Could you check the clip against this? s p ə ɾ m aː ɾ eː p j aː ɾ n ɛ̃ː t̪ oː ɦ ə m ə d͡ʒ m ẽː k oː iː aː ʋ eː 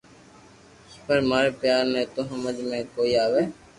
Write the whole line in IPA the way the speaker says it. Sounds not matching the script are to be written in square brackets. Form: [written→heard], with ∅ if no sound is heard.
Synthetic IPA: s p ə ɾ m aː ɾ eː p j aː ɾ n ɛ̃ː t̪ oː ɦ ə m ə d͡ʒ m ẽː k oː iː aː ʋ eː